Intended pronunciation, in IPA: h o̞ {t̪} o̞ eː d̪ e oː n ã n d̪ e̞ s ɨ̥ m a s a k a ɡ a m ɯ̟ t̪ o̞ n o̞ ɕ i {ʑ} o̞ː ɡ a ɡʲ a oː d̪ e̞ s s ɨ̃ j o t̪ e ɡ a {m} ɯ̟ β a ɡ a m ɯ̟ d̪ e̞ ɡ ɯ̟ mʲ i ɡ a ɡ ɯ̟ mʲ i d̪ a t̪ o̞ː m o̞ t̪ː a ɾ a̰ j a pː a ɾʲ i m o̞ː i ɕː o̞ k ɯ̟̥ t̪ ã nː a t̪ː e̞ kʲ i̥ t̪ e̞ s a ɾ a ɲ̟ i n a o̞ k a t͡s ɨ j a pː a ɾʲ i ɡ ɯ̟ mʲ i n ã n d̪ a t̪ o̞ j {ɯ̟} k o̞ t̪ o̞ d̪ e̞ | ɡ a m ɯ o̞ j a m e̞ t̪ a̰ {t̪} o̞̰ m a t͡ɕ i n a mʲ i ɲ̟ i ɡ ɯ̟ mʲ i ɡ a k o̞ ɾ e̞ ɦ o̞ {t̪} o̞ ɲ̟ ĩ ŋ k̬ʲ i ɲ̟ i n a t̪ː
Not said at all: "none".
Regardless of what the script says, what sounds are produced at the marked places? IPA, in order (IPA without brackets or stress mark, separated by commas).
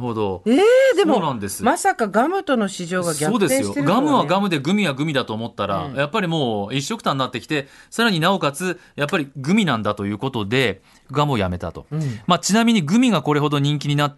d̪, ʑ, m, ɯ̟ː, t̪, d̪